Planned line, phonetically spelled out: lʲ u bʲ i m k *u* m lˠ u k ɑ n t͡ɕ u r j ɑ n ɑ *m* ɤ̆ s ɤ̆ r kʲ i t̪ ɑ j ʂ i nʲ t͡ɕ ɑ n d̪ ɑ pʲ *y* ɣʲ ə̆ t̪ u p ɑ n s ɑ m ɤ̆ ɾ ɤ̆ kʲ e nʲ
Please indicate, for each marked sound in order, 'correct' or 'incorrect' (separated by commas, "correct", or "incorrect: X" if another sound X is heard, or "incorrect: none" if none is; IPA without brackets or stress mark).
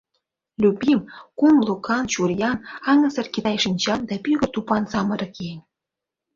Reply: correct, incorrect: ŋ, correct